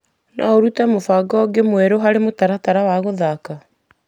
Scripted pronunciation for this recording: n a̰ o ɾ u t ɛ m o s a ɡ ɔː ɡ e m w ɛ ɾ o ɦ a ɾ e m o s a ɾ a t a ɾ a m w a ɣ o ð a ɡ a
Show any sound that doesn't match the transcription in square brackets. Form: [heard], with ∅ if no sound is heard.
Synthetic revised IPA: n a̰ o ɾ u t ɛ m o [f] a ɡ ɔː ɡ e m w ɛ ɾ o ɦ a ɾ e m o [t] a ɾ a t a ɾ a [∅] w a ɣ o ð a [k] a

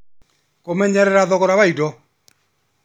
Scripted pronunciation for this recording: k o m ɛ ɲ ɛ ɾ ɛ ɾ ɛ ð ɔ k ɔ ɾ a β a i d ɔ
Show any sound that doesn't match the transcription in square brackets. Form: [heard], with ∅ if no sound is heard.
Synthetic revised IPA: k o m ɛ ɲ ɛ ɾ ɛ ɾ [a] ð ɔ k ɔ ɾ a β a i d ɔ

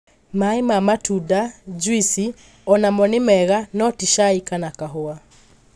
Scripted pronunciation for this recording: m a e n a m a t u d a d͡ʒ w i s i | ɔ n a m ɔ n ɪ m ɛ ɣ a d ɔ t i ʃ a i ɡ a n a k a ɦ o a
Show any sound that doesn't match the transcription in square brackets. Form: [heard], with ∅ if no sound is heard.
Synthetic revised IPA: m a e [m] a m a t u d a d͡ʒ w i s i | ɔ n a m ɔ n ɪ m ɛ ɣ a [n] ɔ t i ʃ a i [k] a n a k a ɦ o a

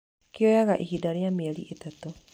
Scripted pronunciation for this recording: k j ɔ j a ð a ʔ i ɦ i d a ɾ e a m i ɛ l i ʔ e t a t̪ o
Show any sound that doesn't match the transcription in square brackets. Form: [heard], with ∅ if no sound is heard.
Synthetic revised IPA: k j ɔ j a [ɣ] a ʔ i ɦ i d a ɾ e a m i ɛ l i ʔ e t a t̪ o

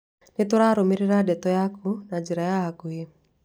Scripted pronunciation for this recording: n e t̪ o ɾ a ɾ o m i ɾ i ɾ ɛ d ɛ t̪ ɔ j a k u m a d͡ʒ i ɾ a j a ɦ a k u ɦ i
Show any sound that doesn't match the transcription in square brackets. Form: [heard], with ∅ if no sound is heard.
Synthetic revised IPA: n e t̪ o ɾ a ɾ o m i ɾ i ɾ [a] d ɛ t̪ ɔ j a k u [n] a d͡ʒ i ɾ a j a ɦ a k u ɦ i

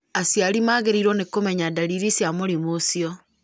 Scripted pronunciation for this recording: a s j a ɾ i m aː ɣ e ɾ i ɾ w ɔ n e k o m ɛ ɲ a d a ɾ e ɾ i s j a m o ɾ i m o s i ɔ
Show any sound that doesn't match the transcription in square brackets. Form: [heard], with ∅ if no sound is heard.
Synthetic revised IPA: a s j a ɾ i m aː ɣ e ɾ i ɾ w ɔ n e k o m ɛ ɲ a d a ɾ [i] ɾ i s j a m o ɾ i m o s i ɔ

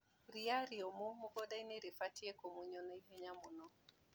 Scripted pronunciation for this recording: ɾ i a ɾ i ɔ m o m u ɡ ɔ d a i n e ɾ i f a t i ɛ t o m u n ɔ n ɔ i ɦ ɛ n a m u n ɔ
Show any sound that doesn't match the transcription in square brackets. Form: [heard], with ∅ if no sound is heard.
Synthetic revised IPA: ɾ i a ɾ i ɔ m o m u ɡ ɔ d a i n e ɾ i f a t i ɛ [k] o m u [ɲ] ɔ n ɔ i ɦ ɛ [ɲ] a m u n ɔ

